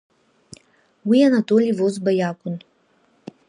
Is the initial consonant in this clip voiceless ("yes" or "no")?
no